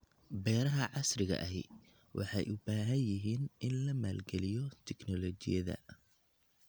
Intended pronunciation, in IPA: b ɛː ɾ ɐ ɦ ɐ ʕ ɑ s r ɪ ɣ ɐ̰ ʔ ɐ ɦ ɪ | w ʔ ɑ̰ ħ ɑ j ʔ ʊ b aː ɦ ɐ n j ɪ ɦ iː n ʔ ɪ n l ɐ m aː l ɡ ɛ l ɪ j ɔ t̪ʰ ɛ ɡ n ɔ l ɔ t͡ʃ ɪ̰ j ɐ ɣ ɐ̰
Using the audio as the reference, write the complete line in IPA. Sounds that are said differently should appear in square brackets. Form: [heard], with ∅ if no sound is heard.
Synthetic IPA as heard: b ɛː ɾ ɐ ɦ ɐ ʕ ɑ s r ɪ ɣ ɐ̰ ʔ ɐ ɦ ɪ | w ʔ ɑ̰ ħ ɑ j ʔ ʊ b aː ɦ ɐ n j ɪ ɦ iː n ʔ ɪ n l ɐ m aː l ɡ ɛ l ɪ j ɔ t̪ʰ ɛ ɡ n ɔ l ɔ t͡ʃ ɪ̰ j ɐ [ð] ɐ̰